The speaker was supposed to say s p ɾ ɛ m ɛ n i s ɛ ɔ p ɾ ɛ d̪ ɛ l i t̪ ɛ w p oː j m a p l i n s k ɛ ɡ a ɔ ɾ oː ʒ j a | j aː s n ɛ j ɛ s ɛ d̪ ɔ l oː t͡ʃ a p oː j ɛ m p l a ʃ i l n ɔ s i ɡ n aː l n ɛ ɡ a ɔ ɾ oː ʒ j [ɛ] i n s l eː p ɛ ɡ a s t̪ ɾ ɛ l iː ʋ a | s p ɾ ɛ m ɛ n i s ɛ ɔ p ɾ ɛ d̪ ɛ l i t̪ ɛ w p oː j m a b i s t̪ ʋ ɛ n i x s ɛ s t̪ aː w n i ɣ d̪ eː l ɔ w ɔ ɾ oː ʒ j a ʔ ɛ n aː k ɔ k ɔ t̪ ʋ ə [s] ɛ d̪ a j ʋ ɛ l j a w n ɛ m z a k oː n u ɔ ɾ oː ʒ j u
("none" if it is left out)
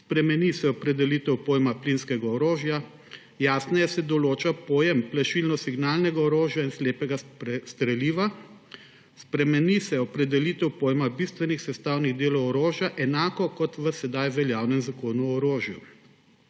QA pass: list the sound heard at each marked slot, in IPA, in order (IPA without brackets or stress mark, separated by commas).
a, s